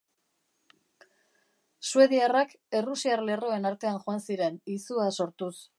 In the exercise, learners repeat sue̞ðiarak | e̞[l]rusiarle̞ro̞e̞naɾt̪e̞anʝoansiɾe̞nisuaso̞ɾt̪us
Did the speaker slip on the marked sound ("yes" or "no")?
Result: yes